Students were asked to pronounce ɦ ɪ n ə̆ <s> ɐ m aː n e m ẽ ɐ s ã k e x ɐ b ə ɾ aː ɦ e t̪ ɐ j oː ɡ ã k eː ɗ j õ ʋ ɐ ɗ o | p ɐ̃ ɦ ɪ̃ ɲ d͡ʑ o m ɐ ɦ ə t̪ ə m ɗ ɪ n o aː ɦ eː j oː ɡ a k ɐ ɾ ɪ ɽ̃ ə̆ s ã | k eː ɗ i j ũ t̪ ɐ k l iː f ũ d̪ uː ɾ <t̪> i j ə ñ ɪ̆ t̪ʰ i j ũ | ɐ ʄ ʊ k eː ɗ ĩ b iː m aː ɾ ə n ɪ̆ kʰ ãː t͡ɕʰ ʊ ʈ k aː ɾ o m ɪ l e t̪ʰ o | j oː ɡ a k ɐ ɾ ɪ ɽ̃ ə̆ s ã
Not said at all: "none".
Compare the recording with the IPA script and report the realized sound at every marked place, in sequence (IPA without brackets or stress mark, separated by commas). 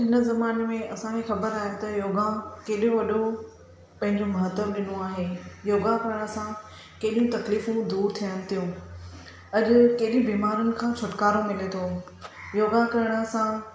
z, t̪ʰ